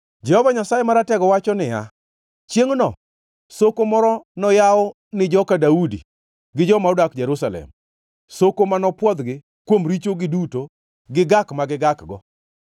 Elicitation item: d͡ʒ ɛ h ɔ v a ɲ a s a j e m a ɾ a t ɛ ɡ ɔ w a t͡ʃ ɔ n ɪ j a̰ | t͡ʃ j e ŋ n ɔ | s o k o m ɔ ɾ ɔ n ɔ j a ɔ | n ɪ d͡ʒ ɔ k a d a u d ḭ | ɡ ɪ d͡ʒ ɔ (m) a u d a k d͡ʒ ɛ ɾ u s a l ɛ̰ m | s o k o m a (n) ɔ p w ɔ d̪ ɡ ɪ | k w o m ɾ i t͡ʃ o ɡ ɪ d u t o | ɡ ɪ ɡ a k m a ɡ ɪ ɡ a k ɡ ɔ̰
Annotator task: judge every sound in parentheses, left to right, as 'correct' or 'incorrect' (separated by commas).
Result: correct, correct